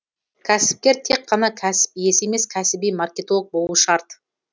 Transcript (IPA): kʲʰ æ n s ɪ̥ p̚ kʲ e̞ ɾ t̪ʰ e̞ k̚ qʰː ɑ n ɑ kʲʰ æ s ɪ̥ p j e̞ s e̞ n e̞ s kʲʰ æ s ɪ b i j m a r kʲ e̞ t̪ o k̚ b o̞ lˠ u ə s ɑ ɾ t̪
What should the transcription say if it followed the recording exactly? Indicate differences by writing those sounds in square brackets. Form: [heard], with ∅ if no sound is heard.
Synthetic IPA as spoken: kʲʰ æ [∅] s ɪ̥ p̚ kʲ e̞ ɾ t̪ʰ e̞ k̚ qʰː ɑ n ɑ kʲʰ æ s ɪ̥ p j e̞ s e̞ [m] e̞ s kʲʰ æ s ɪ b i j m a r kʲ e̞ t̪ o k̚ b o̞ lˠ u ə [ʃ] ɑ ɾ t̪